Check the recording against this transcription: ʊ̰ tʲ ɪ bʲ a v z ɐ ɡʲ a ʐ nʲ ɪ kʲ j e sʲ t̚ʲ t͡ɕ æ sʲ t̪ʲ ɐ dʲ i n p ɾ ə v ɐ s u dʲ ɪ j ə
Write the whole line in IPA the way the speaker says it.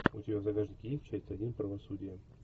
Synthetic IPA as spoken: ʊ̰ tʲ ɪ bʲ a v z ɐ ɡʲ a ʐ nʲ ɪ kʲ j e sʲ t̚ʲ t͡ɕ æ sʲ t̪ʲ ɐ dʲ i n p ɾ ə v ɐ s u dʲ ɪ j ə